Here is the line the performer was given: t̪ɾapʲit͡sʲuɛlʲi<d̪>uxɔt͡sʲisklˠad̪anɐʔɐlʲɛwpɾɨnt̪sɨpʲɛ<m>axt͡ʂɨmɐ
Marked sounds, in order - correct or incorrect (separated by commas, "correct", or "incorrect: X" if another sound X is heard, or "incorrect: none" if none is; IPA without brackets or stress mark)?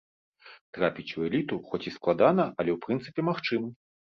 incorrect: t̪, correct